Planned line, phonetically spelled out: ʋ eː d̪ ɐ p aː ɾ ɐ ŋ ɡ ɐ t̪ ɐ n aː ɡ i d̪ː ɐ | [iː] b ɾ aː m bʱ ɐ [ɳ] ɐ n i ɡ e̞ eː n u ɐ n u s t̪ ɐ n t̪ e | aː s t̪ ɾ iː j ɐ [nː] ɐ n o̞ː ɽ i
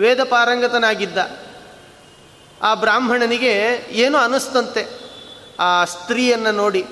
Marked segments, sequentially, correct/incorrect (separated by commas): incorrect, correct, correct